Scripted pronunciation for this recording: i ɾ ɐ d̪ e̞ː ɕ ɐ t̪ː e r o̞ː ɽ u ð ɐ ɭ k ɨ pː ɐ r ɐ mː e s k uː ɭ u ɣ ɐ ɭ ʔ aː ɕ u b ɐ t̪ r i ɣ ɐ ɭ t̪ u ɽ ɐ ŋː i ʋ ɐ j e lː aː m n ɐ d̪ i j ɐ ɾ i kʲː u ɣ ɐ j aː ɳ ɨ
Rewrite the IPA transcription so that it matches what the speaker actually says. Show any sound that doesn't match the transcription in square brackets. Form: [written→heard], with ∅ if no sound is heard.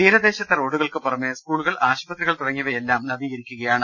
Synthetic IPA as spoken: [i→iː] ɾ ɐ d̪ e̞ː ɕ ɐ t̪ː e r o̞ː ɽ u [ð→ɣ] ɐ ɭ k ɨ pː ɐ r ɐ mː e s k uː ɭ u ɣ ɐ ɭ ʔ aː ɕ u b ɐ t̪ r i ɣ ɐ ɭ t̪ u ɽ ɐ ŋː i ʋ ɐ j e lː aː m n ɐ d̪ i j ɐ ɾ i kʲː u ɣ ɐ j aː ɳ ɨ